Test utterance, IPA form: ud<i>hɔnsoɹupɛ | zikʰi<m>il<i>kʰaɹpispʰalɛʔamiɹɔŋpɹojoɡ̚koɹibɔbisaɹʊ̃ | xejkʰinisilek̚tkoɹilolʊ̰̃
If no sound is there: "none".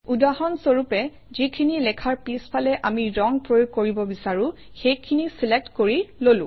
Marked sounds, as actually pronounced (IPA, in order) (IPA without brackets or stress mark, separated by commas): a, n, ɛ